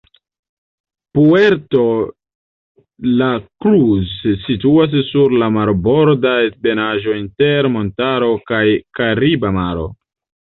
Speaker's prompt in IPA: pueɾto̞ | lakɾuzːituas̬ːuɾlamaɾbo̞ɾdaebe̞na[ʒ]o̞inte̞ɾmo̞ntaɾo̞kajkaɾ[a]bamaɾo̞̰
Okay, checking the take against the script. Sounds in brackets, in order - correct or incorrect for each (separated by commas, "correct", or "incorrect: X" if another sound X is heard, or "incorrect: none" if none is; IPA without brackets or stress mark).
correct, incorrect: i